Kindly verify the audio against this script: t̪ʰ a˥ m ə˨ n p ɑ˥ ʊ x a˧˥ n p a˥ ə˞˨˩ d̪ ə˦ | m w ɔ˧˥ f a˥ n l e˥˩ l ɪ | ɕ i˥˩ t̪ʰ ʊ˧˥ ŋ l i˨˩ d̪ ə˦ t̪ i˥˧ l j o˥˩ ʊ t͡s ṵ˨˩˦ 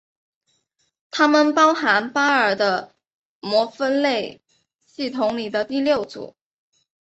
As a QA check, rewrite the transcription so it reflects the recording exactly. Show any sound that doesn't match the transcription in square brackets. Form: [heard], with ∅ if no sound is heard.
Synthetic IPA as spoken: t̪ʰ a˥ m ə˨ n p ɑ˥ ʊ x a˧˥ n p a˥ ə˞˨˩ d̪ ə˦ | m w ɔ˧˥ f [ə˥] n l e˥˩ [∅] ɪ | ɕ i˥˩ t̪ʰ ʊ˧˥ ŋ l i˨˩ d̪ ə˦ t̪ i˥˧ l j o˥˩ ʊ t͡s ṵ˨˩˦